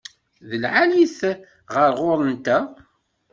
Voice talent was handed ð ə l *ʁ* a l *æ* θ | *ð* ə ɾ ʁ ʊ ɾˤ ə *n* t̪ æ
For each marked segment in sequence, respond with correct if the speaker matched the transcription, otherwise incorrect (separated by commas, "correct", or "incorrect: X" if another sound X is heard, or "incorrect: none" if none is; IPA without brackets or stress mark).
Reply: incorrect: ʕ, incorrect: i, incorrect: ʁ, correct